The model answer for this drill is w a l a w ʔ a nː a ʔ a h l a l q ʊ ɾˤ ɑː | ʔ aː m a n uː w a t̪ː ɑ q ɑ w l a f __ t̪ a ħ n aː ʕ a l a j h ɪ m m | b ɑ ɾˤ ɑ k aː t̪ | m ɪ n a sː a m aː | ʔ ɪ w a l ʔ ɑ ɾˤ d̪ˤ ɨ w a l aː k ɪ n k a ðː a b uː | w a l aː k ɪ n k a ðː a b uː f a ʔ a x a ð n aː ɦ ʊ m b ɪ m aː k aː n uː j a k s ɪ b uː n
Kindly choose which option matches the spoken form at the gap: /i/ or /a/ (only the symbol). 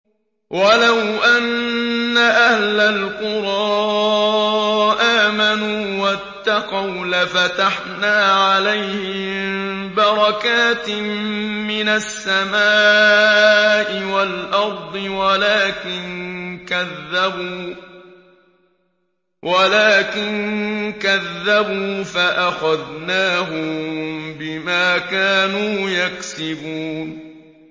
a